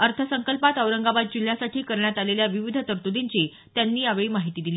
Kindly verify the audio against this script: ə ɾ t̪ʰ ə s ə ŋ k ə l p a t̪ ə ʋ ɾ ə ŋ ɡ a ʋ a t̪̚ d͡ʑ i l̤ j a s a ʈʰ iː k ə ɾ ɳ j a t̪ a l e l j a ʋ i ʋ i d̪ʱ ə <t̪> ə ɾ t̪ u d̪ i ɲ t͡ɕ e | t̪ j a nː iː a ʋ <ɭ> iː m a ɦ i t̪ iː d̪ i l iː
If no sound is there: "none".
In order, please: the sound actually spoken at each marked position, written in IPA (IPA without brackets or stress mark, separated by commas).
t̪, ɭ